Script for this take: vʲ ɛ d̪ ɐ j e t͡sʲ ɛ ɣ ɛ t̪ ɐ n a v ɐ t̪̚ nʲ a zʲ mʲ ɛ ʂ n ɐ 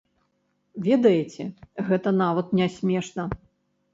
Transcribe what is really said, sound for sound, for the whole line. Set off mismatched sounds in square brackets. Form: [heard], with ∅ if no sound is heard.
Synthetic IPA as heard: vʲ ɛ d̪ ɐ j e t͡sʲ ɛ ɣ ɛ t̪ ɐ n a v ɐ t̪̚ nʲ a [sʲ] mʲ ɛ ʂ n ɐ